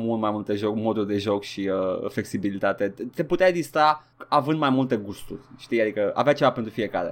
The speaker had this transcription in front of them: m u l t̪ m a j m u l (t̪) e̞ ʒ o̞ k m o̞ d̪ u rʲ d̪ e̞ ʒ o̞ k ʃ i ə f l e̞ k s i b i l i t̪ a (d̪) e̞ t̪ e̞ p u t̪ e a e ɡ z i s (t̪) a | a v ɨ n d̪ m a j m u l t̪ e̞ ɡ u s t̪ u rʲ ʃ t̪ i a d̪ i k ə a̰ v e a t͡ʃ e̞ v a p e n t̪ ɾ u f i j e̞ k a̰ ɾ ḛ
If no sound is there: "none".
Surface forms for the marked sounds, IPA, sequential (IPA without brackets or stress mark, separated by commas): t̪, t̪, t̪